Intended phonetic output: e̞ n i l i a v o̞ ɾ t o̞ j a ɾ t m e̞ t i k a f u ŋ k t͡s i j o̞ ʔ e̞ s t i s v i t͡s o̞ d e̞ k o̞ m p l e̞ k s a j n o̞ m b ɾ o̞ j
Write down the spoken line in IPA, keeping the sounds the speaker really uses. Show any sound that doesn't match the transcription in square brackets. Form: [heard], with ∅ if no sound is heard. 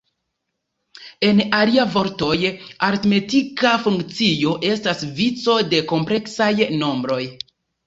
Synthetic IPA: e̞ n [a] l i a v o̞ ɾ t o̞ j a ɾ t m e̞ t i k a f u ŋ k t͡s i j o̞ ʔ e̞ s t [a] s v i t͡s o̞ d e̞ k o̞ m p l e̞ k s a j n o̞ m b ɾ o̞ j